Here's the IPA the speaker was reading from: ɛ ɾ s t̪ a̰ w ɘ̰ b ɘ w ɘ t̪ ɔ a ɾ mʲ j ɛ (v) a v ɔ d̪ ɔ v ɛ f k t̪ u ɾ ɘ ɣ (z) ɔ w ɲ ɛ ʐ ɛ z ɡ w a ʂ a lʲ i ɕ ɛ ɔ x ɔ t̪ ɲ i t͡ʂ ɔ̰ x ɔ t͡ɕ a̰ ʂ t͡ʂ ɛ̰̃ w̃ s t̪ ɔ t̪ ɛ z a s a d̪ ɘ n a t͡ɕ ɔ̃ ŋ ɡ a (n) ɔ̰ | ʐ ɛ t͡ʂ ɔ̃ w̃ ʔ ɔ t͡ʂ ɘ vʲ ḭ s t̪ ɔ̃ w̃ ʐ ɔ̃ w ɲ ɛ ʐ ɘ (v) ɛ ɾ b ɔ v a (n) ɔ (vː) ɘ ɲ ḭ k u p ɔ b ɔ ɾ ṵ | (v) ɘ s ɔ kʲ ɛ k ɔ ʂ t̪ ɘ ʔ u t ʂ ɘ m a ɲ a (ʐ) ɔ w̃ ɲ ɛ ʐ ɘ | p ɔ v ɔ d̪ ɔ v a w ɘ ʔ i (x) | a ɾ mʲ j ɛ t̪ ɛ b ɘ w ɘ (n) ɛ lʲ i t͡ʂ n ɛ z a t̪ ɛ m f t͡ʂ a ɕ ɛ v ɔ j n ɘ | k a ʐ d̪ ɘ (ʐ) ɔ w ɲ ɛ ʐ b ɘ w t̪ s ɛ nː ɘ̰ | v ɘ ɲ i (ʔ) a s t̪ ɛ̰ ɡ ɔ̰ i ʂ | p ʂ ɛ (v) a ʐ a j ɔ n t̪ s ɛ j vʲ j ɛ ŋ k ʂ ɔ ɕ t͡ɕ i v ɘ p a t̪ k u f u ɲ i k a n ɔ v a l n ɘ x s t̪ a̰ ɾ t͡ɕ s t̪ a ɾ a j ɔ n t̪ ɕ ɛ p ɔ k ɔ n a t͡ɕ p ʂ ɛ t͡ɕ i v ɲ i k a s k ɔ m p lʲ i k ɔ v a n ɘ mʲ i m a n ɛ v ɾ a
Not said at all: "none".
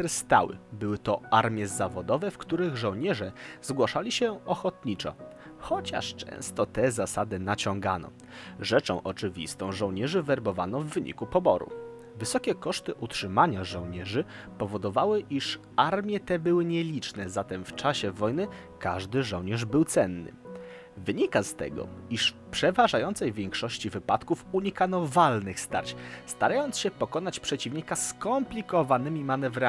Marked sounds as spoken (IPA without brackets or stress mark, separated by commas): z, ʐ, n, v, n, vː, v, ʐ, ʂ, ɲ, ʐ, k, v